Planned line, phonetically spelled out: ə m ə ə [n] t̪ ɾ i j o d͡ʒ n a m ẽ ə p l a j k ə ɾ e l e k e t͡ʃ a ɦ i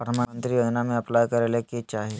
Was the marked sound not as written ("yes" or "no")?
no